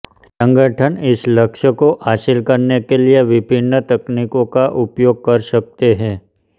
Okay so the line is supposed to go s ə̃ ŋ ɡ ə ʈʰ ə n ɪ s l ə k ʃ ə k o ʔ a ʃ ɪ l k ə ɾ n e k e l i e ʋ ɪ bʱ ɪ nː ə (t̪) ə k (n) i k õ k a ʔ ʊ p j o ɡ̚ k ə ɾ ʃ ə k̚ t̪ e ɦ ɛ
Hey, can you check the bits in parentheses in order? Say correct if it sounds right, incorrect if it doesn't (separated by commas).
correct, correct